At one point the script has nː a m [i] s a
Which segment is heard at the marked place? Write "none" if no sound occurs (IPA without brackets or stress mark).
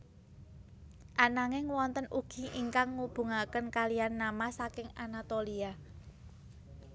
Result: a